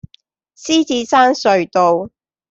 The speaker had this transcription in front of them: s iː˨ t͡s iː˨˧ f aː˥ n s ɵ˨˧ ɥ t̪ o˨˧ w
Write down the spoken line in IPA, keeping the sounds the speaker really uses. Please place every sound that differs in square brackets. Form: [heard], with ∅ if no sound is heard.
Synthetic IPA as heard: s [iː˥] t͡s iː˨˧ [s] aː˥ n s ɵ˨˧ ɥ t̪ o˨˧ w